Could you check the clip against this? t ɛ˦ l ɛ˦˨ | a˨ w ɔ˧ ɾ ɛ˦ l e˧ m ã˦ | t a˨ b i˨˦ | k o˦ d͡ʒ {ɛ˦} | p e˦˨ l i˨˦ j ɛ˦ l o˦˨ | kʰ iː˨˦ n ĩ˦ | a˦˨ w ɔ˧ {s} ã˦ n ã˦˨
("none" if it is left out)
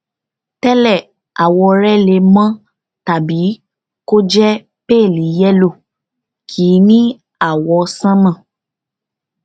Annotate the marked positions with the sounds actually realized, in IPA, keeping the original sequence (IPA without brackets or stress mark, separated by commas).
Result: ɛ˦, s